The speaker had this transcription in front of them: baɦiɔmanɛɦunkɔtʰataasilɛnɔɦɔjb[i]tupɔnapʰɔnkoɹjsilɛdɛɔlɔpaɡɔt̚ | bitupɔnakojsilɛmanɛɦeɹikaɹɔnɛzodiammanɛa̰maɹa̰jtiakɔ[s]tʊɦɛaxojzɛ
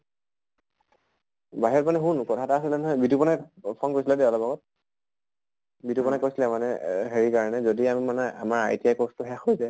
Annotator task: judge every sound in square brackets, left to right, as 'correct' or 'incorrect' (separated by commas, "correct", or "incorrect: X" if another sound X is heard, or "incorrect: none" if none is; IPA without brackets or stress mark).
correct, correct